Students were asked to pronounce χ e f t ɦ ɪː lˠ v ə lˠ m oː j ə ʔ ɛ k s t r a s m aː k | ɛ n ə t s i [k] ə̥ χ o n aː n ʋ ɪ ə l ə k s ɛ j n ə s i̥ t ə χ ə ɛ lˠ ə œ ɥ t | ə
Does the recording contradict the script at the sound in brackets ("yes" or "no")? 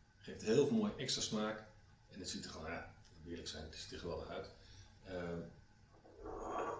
yes